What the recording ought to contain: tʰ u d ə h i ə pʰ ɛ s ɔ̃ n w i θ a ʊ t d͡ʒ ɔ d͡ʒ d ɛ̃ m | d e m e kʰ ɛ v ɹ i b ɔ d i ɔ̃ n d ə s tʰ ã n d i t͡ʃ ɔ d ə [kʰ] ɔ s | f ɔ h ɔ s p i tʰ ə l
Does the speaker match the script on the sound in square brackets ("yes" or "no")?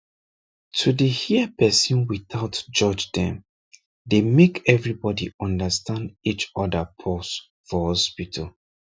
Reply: no